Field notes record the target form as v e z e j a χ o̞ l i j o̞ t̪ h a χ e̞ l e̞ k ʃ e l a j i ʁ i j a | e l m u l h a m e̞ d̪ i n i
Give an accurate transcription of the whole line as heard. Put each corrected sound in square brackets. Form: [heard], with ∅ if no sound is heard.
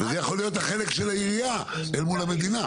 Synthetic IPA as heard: v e z e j a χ o̞ l i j o̞ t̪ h a χ e̞ l e̞ k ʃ e l a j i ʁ i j a | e l m u l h a m e̞ d̪ i n [a]

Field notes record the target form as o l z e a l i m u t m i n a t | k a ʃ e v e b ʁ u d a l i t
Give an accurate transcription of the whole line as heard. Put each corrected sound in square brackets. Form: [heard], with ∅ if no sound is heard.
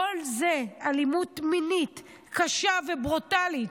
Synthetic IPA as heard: o l z e a l i m u t m i n [i] t | k a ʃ [a] v e b ʁ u [t] a l i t

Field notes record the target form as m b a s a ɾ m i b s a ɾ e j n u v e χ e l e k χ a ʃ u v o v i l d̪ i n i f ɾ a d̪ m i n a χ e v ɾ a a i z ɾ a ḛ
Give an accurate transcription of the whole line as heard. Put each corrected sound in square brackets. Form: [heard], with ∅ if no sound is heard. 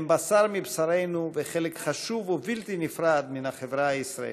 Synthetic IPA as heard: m b a s a ɾ m i b s a ɾ e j n u v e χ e l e k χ a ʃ u v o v i l [t̪] i n i f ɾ a d̪ m i n a χ e v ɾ a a i [s] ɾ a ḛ

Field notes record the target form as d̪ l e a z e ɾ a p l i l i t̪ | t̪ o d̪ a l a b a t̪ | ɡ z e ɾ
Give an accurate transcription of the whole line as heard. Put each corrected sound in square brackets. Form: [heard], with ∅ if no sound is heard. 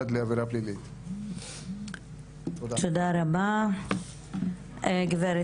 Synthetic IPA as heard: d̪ l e a [v] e ɾ a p l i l i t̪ | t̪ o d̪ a [ɾ] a b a [∅] | ɡ [v] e ɾ

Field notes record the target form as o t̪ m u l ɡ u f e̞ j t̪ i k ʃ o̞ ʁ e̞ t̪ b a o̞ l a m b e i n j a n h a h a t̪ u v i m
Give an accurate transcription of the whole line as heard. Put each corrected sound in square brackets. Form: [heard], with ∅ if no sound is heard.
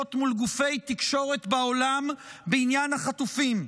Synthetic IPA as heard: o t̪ m u l ɡ u f e̞ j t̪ i k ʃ o̞ ʁ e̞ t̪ b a o̞ l a m b e i n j a n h a [χ] a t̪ u [f] i m

